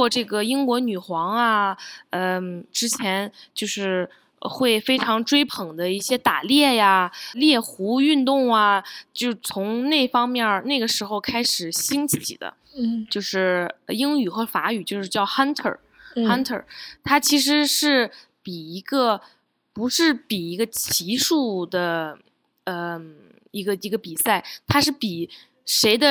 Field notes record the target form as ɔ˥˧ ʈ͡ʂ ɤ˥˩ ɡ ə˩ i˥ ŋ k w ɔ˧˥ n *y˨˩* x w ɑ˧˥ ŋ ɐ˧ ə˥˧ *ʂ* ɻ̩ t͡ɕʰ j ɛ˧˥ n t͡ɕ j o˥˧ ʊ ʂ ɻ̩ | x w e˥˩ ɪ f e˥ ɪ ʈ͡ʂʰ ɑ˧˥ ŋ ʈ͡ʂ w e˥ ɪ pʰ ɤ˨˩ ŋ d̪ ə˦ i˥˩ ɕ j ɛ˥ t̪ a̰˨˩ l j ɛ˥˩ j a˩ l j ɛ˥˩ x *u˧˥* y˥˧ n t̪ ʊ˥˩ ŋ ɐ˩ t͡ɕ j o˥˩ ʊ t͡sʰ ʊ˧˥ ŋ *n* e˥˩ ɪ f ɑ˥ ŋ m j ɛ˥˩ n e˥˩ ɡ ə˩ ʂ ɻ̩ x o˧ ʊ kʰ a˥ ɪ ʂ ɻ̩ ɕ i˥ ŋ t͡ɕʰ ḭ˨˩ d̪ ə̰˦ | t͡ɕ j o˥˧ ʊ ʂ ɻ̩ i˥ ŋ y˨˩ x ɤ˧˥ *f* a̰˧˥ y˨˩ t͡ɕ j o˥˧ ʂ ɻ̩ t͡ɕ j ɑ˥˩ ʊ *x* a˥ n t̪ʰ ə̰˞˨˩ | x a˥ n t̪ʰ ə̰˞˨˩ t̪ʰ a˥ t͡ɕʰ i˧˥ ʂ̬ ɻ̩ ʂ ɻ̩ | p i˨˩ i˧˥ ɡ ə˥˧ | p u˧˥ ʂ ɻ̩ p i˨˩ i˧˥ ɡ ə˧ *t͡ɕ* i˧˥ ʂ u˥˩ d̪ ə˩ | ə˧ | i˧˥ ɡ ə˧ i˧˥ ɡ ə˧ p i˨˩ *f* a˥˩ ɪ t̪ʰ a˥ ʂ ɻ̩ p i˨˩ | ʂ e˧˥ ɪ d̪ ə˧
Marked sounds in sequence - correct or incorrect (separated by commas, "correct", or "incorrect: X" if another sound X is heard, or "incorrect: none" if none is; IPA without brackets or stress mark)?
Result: correct, incorrect: ʈ͡ʂ, correct, correct, correct, correct, incorrect: t͡ɕʰ, incorrect: s